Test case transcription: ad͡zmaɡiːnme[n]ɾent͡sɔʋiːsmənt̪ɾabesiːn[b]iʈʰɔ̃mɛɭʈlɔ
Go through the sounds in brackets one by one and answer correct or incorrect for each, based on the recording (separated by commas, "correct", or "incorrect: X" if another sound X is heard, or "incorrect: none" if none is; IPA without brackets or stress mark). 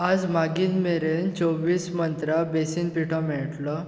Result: incorrect: none, incorrect: p